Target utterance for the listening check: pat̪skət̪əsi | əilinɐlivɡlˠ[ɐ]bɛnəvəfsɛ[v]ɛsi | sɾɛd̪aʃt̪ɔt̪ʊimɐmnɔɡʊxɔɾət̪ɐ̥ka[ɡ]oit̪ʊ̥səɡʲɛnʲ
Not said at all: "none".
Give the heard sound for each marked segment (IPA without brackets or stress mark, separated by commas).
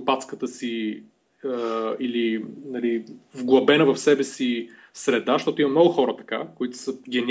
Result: ɐ, b, k